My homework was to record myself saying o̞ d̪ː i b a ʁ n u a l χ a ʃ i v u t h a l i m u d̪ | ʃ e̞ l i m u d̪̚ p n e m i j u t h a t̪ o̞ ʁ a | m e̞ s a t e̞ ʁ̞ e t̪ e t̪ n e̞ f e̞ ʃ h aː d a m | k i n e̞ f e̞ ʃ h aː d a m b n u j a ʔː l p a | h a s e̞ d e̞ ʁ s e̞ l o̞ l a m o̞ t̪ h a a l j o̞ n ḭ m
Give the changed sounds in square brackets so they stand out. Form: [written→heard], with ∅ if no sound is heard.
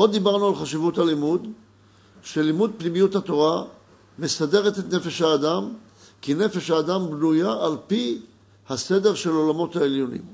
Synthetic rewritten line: o̞ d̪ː i b a ʁ n u a l χ a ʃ i v u t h a l i m u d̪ | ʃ e̞ l i m u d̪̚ p n [e→i] m i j u t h a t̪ o̞ ʁ a | m e̞ s a [t→d] e̞ ʁ̞ e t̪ e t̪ n e̞ f e̞ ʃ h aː d a m | k i n e̞ f e̞ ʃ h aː d a m b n u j a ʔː l p [a→i] | h a s e̞ d e̞ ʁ [s→ʃ] e̞ l o̞ l a m o̞ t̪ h a [a→e] l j o̞ n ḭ m